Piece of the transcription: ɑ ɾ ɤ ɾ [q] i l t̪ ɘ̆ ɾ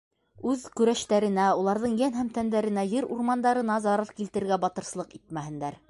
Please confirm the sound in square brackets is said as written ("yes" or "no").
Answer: no